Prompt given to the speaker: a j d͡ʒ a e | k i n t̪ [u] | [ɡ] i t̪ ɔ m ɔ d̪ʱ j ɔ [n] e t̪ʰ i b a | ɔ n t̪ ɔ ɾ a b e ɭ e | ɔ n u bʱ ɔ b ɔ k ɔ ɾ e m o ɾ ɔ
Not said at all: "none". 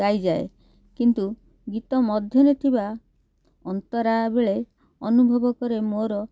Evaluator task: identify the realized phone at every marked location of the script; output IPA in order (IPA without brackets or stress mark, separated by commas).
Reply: u, ɡ, n